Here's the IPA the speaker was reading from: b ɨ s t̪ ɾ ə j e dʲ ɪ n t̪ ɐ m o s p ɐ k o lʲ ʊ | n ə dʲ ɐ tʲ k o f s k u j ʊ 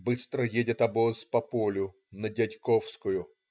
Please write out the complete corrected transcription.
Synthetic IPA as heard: b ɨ s t̪ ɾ ə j e dʲ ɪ t̪ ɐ b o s p ɐ p o lʲ ʊ | n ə dʲ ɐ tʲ k o f s k ʊ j ʊ